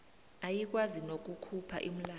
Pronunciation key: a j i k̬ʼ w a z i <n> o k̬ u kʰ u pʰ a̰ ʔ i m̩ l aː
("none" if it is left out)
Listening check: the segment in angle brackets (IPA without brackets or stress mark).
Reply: n